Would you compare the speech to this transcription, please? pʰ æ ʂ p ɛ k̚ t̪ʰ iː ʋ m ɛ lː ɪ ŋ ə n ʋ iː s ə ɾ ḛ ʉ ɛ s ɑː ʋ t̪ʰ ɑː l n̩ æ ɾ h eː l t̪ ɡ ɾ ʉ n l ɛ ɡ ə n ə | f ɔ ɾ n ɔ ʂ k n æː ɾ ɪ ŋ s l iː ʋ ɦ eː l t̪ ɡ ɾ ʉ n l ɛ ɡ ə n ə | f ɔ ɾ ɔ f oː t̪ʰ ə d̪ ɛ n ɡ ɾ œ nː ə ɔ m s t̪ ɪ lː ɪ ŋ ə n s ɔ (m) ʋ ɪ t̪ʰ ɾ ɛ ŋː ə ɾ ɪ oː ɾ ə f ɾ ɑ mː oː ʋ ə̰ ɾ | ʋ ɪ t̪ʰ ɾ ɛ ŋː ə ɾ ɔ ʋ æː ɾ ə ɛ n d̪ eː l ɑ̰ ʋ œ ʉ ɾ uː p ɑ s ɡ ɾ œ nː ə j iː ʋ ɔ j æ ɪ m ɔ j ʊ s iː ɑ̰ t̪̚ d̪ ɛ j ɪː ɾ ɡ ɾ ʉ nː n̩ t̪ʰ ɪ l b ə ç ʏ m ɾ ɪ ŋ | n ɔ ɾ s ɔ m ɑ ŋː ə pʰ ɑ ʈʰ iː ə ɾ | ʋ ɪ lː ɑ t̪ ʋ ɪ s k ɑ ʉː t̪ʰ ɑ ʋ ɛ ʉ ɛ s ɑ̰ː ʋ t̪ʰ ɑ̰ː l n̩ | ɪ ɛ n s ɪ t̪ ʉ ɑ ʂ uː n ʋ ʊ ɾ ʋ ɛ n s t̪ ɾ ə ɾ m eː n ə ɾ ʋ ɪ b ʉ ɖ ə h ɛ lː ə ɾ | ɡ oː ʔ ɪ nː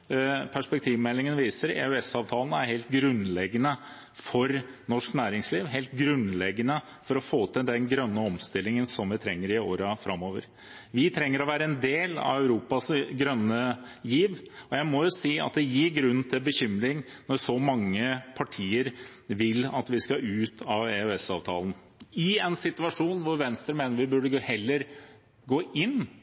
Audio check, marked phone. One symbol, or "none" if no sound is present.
m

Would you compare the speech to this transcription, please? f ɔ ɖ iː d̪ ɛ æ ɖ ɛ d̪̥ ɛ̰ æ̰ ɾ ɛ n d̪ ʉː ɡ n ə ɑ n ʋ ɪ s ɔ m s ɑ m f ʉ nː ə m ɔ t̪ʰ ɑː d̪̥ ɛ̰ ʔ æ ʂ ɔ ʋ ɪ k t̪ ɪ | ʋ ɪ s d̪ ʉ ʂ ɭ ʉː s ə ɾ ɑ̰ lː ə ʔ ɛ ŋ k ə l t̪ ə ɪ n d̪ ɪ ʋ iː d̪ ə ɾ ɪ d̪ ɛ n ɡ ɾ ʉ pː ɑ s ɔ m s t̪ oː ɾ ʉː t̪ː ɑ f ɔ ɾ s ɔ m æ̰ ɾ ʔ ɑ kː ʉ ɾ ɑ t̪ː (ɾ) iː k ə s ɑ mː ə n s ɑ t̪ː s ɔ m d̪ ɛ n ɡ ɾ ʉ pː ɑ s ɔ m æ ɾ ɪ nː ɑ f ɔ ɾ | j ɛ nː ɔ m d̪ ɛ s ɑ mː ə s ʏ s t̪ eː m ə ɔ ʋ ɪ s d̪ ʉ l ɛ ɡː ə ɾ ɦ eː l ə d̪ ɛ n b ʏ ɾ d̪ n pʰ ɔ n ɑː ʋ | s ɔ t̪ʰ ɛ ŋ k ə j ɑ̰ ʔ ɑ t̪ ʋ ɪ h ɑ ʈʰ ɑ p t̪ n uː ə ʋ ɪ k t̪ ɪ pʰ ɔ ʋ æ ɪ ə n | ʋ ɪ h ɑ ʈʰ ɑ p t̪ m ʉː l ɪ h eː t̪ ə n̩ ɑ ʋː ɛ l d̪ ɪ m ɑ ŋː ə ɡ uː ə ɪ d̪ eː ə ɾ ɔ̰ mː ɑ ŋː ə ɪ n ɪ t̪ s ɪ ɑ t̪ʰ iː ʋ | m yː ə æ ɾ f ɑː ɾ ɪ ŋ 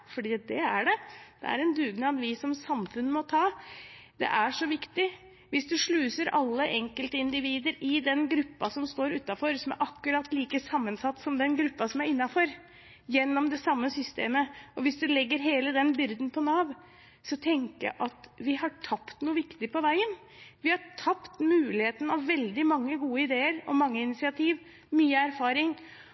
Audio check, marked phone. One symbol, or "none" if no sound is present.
l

